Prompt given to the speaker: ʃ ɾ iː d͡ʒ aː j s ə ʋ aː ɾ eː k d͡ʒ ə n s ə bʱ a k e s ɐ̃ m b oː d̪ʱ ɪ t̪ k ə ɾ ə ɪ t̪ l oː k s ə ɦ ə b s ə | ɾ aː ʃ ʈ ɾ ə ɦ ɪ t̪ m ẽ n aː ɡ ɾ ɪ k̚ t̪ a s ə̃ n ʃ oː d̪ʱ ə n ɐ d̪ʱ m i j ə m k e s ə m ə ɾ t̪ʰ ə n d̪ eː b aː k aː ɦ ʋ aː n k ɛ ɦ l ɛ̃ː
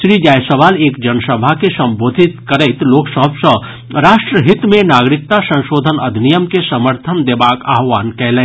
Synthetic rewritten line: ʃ ɾ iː d͡ʒ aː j s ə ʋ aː l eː k d͡ʒ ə n s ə bʱ a k e s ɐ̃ m b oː d̪ʱ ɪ t̪ k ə ɾ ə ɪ t̪ l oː k s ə ɦ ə b s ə | ɾ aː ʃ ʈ ɾ ə ɦ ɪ t̪ m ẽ n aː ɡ ɾ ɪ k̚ t̪ a s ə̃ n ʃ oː d̪ʱ ə n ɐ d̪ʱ n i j ə m k e s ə m ə ɾ t̪ʰ ə n d̪ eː b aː k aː ɦ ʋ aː n k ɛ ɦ l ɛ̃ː